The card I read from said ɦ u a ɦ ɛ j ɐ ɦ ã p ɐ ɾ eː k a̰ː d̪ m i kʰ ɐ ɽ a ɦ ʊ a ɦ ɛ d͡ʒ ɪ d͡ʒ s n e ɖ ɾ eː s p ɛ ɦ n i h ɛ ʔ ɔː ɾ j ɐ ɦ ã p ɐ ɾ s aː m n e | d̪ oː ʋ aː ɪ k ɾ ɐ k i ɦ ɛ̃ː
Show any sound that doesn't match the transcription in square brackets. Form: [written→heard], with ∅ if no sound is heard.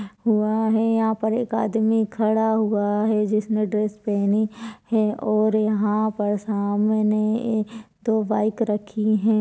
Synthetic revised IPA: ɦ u a ɦ ɛ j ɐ ɦ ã p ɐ ɾ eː k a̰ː d̪ m i kʰ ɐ ɽ a ɦ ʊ a ɦ ɛ d͡ʒ ɪ [d͡ʒ→∅] s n e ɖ ɾ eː s p ɛ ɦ n i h ɛ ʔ ɔː ɾ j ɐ ɦ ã p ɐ ɾ s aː m n e | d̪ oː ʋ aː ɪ k ɾ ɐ [k→kʰ] i ɦ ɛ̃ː